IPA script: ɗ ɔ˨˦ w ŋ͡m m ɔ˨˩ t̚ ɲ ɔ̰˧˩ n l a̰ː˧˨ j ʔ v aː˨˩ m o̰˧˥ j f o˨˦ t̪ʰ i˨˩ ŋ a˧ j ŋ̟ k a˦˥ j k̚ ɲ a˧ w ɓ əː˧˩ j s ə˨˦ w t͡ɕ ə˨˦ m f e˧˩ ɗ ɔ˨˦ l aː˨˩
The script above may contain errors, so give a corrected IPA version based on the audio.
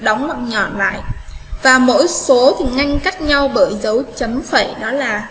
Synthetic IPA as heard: ɗ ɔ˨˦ w ŋ͡m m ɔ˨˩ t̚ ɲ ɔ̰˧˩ n l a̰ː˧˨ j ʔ v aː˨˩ m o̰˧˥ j s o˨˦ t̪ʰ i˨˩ ŋ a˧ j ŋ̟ k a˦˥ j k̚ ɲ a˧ w ɓ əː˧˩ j z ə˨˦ w t͡ɕ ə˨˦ m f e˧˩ ɗ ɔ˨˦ l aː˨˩